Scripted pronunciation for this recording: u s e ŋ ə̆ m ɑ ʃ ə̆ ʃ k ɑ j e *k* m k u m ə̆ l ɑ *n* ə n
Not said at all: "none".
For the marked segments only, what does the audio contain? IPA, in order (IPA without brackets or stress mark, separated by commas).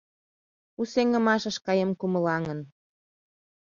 none, ŋ